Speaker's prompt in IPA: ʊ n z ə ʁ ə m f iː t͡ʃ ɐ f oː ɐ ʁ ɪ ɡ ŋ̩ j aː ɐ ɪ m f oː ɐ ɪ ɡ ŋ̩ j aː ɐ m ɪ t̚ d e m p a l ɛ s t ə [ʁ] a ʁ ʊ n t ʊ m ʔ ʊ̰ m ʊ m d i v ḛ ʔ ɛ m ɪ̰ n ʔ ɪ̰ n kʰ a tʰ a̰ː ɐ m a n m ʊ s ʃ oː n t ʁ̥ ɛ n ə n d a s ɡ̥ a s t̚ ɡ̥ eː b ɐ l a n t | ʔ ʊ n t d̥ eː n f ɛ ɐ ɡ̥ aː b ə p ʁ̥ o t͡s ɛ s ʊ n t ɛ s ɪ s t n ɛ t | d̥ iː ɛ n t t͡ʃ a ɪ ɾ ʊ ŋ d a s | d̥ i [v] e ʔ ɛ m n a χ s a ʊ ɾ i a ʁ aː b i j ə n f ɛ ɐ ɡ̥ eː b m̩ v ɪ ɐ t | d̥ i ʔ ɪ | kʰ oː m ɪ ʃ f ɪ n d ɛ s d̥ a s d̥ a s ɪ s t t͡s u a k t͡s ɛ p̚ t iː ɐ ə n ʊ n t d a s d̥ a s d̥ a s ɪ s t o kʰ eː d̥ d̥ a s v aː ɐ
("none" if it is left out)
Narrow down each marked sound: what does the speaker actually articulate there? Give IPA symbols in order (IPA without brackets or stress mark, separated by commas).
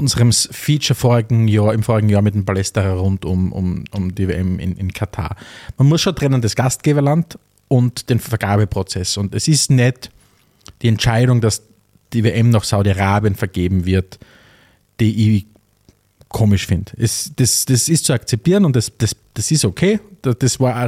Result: ʁ, v